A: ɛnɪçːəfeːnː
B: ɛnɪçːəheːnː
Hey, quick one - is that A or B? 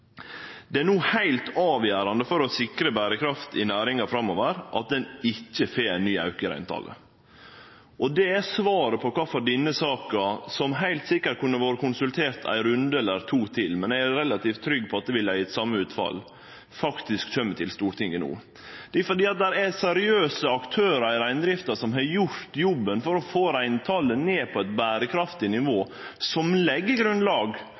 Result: A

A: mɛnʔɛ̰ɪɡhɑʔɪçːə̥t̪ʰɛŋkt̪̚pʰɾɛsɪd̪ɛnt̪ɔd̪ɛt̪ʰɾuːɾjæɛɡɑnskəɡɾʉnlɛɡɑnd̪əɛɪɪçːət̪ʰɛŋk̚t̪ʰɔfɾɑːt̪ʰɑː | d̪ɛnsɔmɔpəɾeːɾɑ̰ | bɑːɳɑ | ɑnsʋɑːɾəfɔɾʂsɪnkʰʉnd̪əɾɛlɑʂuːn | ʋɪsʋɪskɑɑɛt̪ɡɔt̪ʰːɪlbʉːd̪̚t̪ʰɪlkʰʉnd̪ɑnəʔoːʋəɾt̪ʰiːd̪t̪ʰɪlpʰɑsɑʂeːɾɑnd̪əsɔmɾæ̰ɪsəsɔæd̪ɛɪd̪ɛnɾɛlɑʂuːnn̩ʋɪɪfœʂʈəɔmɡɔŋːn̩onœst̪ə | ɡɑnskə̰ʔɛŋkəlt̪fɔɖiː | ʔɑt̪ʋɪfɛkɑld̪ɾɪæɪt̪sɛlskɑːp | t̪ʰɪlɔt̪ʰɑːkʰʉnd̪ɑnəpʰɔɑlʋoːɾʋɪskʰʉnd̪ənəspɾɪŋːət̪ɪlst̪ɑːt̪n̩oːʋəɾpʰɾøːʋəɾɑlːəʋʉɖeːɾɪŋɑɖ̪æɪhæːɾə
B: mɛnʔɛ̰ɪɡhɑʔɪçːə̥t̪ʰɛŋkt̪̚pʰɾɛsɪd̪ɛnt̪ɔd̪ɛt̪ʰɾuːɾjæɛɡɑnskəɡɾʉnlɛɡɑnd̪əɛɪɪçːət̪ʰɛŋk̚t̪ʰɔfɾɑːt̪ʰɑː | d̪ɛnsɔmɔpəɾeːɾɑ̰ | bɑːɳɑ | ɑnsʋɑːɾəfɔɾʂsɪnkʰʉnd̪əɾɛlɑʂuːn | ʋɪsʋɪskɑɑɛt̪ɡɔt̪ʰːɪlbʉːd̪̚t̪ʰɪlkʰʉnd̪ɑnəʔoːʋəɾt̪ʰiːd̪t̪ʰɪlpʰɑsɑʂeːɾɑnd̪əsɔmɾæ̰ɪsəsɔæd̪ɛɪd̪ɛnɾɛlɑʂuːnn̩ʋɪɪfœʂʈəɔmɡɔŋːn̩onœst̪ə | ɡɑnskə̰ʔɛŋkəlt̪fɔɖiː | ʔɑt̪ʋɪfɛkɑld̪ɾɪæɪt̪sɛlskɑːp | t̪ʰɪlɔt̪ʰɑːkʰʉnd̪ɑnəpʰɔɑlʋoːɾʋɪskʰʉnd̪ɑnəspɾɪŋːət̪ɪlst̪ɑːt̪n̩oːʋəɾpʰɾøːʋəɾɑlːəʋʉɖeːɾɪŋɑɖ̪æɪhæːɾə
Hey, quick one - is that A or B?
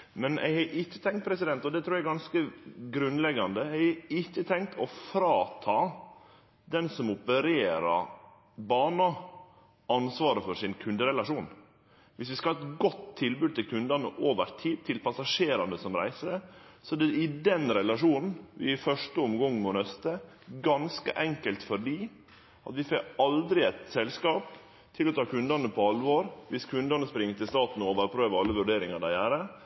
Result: B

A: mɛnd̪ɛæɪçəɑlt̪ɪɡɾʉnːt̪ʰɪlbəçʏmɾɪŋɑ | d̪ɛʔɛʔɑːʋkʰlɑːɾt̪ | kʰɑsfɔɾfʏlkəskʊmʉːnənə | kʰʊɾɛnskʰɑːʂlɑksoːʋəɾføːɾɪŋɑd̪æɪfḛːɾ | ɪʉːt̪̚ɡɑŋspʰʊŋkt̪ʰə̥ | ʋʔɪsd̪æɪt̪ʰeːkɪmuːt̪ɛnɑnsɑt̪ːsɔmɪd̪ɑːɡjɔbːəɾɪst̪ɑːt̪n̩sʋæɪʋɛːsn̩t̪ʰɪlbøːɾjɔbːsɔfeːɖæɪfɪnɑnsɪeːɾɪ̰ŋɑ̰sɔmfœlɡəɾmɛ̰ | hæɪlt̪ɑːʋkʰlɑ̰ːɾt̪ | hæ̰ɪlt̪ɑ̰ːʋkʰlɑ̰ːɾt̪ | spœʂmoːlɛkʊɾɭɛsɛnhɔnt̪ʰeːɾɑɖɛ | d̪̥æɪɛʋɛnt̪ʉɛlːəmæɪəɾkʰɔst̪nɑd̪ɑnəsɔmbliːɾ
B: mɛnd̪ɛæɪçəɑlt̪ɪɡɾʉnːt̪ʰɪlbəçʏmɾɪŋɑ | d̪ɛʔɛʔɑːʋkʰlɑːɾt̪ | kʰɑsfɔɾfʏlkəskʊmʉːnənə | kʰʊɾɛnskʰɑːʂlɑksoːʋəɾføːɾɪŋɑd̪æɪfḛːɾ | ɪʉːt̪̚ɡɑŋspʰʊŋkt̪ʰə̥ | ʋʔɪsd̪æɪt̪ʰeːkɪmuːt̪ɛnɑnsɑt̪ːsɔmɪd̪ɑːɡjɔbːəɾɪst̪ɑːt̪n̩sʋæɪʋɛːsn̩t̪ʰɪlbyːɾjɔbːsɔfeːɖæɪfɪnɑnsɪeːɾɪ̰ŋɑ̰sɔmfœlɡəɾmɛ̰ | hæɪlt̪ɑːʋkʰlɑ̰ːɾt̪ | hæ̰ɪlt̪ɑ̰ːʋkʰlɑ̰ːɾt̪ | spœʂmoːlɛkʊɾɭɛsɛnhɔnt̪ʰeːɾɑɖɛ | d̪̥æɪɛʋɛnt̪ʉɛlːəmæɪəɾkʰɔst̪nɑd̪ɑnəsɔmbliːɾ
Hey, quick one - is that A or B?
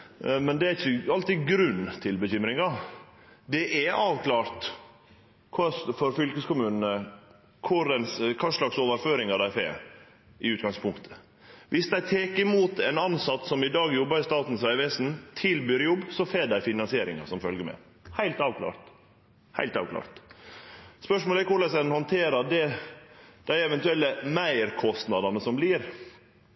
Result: B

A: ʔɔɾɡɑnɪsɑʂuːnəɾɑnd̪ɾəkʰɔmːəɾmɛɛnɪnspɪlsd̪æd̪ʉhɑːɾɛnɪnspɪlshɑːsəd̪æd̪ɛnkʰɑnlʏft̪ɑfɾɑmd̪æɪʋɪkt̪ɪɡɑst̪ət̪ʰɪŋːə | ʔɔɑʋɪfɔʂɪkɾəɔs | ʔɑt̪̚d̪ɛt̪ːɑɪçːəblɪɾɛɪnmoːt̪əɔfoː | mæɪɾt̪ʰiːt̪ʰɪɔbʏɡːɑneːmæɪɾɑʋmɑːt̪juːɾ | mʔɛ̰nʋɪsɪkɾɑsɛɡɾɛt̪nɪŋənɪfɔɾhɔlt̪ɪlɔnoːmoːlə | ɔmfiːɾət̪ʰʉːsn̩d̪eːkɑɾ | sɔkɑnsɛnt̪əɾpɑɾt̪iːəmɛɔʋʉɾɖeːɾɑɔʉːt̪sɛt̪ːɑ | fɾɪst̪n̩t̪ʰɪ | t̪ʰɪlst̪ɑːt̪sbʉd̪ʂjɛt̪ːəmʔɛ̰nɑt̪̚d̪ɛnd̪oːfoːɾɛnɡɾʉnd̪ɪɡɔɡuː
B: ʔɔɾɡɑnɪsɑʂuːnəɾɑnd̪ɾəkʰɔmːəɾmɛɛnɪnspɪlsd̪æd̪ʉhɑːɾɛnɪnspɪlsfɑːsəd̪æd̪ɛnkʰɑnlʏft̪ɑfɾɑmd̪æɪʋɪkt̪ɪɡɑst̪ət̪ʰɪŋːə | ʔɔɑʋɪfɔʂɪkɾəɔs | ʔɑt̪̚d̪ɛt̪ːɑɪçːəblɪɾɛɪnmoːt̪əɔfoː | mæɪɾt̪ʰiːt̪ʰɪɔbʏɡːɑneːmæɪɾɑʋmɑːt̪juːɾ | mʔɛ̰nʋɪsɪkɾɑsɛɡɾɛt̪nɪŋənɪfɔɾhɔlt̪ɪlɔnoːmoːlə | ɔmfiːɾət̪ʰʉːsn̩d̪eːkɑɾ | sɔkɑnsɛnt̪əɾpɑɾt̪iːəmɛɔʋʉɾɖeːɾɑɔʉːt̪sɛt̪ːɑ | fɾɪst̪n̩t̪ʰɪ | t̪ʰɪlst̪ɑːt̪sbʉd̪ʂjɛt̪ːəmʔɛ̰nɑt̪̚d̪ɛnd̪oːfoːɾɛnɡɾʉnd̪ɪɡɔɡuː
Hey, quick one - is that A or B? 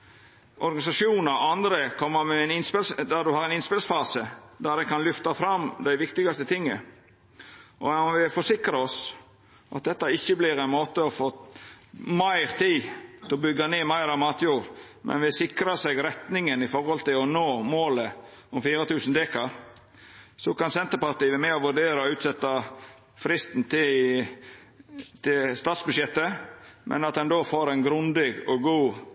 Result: B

